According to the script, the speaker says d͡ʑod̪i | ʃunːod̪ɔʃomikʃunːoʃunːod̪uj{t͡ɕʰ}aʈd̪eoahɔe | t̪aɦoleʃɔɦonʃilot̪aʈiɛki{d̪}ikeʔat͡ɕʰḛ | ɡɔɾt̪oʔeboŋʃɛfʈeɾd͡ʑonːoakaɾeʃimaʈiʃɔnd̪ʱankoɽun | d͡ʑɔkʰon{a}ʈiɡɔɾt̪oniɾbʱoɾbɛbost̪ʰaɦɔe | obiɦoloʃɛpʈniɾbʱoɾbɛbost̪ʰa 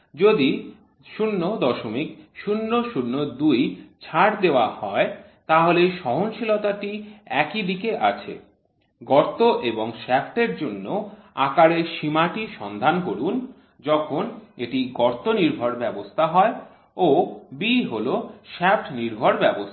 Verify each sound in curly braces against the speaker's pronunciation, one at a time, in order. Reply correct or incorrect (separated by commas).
correct, correct, incorrect